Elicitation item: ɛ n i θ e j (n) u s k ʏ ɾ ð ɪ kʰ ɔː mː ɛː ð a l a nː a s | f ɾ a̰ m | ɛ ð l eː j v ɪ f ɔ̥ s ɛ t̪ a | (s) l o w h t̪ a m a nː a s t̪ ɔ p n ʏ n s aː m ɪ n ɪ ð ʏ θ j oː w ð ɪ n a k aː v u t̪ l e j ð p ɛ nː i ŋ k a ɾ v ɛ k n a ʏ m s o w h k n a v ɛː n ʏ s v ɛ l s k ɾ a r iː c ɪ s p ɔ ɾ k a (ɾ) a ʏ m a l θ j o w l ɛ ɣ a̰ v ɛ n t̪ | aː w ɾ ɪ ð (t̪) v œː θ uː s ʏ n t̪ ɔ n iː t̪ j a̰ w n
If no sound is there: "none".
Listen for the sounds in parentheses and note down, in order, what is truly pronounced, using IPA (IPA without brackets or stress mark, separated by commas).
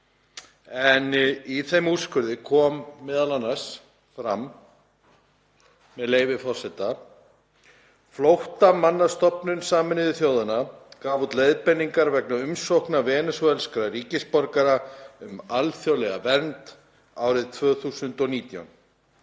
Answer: m, f, ɾ, t̪ʰ